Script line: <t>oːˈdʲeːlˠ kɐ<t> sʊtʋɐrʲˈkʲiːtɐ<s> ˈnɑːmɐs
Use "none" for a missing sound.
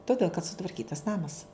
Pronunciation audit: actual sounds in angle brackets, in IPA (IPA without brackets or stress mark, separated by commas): t, t, s